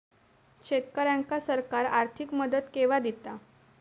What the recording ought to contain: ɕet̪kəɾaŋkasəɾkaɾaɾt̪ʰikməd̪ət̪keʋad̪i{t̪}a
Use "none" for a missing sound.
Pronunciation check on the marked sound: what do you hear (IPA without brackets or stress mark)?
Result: t̪